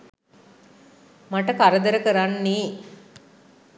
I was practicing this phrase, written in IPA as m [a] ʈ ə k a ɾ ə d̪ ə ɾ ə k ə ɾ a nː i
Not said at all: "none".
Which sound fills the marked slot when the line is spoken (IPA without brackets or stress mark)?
a